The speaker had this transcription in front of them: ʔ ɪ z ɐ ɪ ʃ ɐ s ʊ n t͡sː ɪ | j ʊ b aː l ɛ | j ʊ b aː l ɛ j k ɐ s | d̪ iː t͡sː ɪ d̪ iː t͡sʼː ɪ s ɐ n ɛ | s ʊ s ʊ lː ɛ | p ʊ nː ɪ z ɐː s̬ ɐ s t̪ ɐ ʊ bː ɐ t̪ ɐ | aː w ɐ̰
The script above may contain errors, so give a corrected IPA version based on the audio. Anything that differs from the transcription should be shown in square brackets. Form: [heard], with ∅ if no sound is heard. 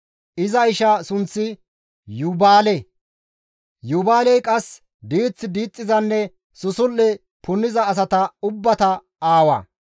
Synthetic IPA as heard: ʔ ɪ z ɐ ɪ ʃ ɐ s ʊ n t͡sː ɪ | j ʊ b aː l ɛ | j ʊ b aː l ɛ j [kʼ] ɐ s | d̪ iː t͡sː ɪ d̪ iː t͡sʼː ɪ [z] ɐ [nː] ɛ | s ʊ s ʊ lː ɛ | p ʊ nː ɪ z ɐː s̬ ɐ [∅] t̪ ɐ ʊ bː ɐ t̪ ɐ | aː w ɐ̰